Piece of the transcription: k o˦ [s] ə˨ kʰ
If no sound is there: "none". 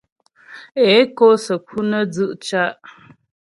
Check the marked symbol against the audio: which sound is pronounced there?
s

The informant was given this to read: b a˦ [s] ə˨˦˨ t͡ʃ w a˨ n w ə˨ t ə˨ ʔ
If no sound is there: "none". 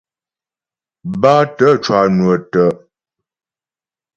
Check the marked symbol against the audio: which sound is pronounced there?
t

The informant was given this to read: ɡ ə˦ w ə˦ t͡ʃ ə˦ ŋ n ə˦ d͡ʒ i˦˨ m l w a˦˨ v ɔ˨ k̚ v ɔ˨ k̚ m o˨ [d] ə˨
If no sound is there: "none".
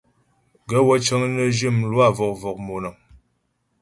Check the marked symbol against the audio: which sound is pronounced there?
n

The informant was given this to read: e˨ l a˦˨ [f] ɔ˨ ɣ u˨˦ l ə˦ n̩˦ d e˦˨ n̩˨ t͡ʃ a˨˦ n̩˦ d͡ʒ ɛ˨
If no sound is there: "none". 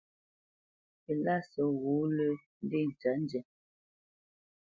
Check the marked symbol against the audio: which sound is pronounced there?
s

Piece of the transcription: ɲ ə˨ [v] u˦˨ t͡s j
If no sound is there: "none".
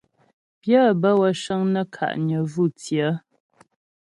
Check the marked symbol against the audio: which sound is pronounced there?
v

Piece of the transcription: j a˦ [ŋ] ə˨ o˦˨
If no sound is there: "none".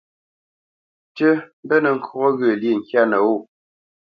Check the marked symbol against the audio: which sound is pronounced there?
n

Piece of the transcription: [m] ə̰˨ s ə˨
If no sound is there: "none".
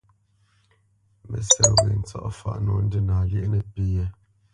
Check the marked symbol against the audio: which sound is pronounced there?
m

